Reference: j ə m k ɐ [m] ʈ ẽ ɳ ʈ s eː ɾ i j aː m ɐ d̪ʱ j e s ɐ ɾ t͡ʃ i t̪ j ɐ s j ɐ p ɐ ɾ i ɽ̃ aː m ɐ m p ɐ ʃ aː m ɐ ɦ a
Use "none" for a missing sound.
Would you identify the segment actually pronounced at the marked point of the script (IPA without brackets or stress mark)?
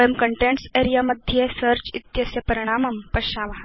ɳ